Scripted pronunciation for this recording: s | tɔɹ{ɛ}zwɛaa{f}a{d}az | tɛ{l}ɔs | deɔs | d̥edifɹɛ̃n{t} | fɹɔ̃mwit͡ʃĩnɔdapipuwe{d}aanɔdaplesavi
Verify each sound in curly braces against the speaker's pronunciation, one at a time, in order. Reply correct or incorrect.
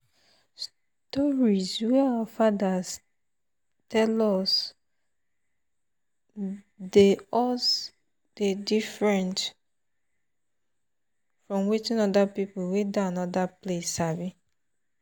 incorrect, correct, correct, correct, correct, correct

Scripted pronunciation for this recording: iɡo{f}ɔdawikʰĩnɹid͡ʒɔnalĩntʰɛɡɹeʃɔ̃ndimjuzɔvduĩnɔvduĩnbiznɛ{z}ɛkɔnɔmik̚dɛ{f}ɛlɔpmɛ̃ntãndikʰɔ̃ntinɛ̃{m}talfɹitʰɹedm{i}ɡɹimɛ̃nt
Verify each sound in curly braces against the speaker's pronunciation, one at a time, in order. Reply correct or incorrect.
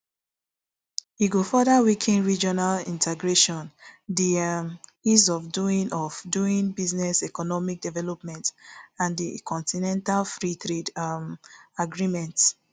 correct, incorrect, incorrect, incorrect, incorrect

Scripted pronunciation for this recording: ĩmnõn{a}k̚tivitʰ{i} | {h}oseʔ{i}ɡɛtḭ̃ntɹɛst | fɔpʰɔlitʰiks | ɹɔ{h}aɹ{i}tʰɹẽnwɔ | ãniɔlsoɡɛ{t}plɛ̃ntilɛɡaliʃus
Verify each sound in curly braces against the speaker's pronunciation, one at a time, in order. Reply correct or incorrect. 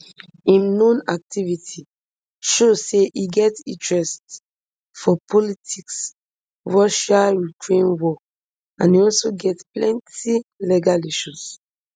correct, correct, incorrect, correct, incorrect, correct, correct

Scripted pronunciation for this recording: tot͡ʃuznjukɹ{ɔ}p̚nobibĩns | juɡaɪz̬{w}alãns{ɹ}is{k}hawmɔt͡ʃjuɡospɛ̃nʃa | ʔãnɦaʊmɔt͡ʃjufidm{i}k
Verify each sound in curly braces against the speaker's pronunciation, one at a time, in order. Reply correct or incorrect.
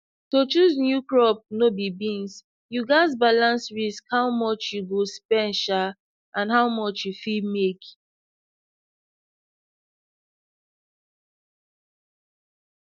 correct, incorrect, correct, correct, incorrect

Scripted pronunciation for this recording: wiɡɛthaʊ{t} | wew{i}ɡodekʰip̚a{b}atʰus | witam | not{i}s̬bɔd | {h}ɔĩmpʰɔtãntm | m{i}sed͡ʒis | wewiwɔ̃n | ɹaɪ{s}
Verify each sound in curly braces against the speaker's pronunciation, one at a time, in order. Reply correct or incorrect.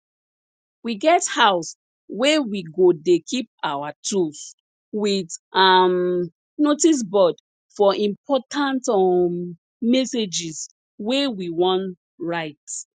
incorrect, correct, incorrect, correct, incorrect, incorrect, incorrect

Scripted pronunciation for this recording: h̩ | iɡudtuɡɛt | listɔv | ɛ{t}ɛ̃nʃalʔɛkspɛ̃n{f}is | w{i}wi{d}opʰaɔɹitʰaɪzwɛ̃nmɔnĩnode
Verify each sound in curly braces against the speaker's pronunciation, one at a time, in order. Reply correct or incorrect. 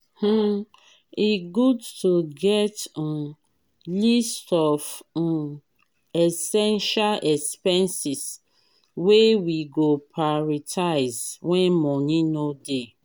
incorrect, incorrect, incorrect, incorrect

